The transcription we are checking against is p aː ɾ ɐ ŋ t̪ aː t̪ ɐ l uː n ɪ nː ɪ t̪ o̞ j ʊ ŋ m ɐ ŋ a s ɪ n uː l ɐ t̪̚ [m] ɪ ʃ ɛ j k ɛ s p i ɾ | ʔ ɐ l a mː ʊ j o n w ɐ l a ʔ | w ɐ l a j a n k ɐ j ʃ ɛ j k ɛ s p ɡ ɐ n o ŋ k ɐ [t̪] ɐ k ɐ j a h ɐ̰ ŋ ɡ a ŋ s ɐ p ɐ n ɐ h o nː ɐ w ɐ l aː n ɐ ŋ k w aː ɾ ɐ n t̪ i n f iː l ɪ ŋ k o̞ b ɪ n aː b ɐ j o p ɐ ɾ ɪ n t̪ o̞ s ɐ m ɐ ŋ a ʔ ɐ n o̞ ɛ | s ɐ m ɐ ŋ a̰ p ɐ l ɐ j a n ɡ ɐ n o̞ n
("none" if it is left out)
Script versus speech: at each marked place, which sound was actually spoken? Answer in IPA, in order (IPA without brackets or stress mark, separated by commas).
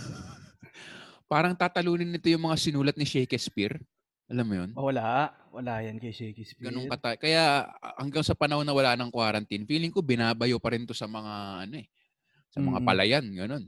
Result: n, t̪